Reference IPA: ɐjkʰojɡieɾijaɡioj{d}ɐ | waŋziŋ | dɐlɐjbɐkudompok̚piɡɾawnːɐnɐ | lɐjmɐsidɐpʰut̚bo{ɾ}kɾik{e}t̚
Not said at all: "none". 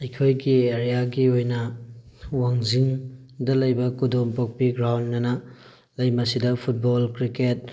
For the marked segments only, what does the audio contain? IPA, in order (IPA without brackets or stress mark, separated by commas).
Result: n, l, e